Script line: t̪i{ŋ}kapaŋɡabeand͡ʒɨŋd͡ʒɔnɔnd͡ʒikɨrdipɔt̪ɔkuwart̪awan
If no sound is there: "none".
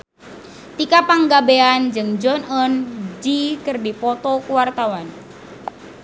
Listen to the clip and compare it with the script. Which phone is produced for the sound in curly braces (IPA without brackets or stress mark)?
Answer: none